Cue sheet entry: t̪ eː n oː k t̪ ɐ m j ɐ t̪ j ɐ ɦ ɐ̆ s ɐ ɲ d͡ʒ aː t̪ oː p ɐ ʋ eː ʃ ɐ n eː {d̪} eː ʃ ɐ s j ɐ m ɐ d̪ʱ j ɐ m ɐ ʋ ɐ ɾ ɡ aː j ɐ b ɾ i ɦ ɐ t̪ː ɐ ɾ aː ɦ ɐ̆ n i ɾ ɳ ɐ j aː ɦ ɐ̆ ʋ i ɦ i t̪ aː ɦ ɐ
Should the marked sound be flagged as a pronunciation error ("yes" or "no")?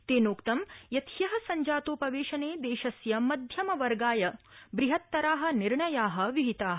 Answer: no